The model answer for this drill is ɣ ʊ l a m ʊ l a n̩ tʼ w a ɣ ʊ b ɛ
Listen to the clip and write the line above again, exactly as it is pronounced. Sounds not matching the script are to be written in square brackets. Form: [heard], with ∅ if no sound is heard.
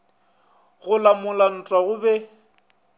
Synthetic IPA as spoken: ɣ ʊ l a m ʊ l a n̩ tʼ w a ɣ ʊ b ɛ